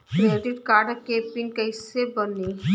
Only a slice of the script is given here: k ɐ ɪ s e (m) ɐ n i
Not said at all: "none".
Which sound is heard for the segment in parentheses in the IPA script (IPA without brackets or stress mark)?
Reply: b